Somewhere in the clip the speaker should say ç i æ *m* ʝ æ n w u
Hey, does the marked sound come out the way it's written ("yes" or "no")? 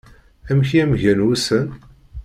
yes